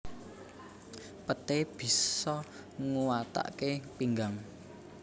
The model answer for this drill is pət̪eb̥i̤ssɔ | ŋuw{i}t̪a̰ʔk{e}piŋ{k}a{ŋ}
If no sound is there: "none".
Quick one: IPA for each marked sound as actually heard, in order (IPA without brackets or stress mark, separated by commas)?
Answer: a, e, ɡ, ŋ